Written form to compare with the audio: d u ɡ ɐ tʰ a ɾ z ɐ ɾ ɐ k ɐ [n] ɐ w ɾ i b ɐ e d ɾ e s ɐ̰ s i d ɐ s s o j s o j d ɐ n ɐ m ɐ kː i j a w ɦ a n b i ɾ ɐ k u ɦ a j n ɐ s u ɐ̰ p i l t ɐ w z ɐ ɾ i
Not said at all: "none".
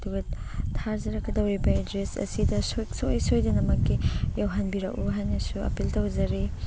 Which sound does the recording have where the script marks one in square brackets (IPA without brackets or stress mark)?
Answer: d